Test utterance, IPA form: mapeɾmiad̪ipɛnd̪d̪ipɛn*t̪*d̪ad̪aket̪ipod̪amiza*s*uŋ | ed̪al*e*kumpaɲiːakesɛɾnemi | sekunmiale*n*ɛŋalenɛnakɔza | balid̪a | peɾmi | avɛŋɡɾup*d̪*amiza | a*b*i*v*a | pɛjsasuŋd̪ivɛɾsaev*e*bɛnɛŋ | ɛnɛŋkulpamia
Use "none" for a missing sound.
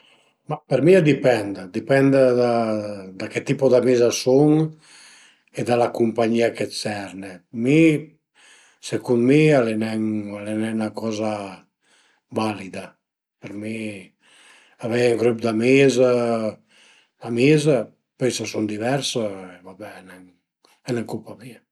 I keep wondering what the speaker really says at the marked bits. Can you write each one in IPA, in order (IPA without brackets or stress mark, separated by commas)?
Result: d̪, s, a, n, d̪, m, z, a